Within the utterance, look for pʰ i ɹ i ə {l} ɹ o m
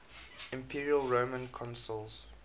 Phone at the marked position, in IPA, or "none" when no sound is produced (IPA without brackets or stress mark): l